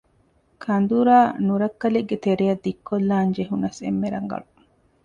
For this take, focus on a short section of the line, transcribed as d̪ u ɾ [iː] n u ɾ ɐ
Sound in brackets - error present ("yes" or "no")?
yes